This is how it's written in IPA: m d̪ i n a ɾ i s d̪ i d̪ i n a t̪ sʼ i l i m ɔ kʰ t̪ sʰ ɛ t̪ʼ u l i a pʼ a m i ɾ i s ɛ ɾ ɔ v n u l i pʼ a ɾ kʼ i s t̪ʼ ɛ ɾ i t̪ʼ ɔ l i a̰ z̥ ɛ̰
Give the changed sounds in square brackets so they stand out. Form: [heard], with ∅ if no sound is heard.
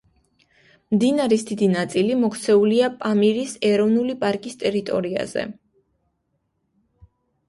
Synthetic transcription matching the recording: m d̪ i n a ɾ i s d̪ i d̪ i n a t̪ sʼ i l i m ɔ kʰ t̪ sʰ ɛ [∅] u l i a pʼ a m i ɾ i s ɛ ɾ ɔ v n u l i pʼ a ɾ kʼ i s t̪ʼ ɛ ɾ i t̪ʼ ɔ [ɾ] i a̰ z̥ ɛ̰